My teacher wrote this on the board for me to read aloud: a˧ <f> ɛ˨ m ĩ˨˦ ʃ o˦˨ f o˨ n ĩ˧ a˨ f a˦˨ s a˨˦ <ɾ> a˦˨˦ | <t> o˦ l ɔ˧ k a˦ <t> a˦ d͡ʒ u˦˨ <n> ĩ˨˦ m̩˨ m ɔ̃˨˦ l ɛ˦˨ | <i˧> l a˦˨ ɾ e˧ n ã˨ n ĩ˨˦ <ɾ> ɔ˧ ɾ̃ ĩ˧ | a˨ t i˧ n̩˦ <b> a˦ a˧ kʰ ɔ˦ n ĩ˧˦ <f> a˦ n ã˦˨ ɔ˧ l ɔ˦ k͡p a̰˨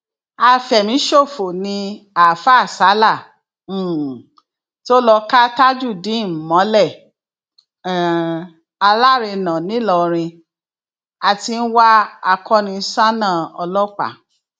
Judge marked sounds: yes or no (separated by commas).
yes, no, yes, yes, no, no, no, no, no